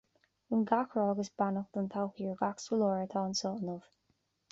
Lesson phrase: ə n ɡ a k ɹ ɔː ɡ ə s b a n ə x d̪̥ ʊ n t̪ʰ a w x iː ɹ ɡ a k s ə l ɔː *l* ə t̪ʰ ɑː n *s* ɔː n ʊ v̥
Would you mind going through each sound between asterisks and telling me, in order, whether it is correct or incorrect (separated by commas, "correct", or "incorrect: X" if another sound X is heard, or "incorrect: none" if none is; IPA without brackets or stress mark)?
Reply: incorrect: ɹ, correct